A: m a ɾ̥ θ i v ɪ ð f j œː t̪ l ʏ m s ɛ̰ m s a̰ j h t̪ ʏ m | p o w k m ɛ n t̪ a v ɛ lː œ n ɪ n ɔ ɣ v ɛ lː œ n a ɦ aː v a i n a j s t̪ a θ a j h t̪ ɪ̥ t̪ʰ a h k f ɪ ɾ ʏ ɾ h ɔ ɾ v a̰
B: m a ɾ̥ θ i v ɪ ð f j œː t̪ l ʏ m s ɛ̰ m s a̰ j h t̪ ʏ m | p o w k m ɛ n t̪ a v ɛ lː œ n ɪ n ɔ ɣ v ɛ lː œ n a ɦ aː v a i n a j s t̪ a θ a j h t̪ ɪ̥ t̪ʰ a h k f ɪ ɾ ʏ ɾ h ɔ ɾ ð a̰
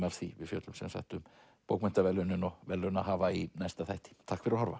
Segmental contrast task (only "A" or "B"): A